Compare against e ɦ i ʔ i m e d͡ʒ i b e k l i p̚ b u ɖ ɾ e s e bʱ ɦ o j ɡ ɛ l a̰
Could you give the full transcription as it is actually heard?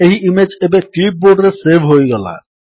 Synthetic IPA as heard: e ɦ i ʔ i m e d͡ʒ e b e k l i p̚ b o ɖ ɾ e s e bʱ ɦ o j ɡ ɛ l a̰